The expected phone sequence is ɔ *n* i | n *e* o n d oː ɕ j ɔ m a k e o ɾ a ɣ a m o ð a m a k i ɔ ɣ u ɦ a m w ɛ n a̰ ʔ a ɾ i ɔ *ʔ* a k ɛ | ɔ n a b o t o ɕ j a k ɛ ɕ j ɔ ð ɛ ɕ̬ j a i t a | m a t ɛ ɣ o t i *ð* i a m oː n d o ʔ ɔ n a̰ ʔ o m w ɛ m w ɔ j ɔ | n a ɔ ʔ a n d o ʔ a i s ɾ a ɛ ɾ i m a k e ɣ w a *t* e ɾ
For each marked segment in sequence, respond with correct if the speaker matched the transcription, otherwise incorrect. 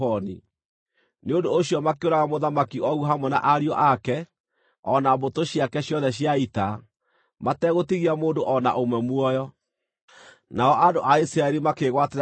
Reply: correct, correct, correct, incorrect: ɣ, correct

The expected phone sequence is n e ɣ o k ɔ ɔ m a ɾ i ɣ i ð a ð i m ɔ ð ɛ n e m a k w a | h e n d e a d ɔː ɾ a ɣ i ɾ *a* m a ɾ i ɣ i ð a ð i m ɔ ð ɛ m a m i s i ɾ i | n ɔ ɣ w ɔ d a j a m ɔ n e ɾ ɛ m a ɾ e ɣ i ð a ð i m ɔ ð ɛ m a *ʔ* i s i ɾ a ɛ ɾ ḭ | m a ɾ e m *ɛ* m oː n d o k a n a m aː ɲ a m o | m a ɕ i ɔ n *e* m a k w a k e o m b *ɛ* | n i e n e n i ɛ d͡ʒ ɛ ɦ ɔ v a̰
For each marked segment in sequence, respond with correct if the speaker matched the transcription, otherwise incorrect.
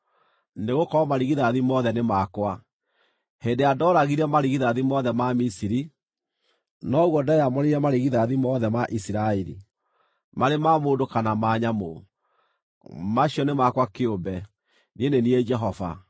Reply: incorrect: ɛ, correct, incorrect: a, correct, correct

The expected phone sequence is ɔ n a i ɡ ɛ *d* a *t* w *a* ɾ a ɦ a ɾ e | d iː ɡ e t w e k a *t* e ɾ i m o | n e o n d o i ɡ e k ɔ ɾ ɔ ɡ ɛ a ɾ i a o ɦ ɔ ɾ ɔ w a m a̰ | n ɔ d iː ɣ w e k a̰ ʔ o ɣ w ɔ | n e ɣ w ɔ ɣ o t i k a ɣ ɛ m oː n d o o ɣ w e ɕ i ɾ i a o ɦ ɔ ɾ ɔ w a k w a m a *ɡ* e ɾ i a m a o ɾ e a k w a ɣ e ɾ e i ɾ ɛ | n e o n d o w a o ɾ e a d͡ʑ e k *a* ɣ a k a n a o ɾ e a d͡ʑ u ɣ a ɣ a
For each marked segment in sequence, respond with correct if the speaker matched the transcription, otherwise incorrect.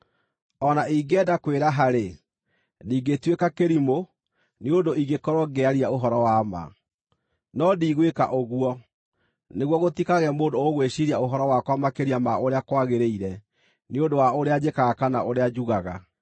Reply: correct, incorrect: k, incorrect: e, incorrect: k, incorrect: k, correct

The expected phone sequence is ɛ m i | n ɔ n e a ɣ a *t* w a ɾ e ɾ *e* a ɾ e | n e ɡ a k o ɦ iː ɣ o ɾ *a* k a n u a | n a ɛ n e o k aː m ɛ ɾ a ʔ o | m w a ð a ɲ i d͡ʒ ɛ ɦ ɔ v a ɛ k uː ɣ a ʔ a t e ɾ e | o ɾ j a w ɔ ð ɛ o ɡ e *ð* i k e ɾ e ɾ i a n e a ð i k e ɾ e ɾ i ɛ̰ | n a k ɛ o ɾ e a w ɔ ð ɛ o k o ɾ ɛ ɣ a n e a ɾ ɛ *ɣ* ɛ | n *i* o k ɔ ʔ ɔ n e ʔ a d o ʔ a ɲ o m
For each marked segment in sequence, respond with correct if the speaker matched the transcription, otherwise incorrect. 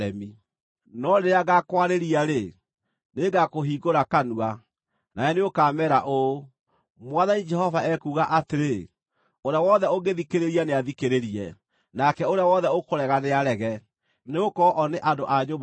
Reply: incorrect: k, incorrect: i, correct, correct, correct, incorrect: e

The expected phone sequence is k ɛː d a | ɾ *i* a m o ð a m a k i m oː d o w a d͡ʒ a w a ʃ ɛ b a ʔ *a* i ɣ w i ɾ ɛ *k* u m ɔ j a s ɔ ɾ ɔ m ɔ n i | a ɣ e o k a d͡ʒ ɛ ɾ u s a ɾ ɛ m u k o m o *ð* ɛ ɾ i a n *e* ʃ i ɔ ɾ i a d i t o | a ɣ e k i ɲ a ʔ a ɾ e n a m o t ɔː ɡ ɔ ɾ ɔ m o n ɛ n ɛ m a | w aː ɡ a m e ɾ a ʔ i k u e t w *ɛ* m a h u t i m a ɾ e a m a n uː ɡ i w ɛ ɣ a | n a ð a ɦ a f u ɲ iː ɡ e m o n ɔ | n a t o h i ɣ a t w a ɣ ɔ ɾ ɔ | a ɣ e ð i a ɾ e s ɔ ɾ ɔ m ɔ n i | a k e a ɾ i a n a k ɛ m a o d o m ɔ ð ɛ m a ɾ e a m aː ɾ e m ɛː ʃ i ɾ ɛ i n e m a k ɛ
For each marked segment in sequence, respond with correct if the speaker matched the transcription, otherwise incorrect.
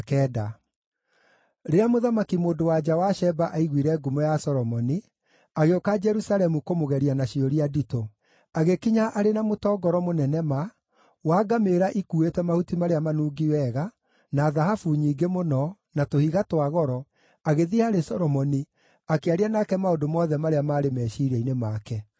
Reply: incorrect: e, correct, incorrect: ɡ, incorrect: ɣ, incorrect: a, correct

